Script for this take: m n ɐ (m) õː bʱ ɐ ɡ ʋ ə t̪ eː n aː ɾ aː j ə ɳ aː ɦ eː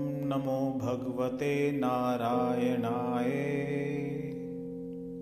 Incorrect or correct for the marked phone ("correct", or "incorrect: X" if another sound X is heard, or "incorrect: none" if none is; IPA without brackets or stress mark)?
correct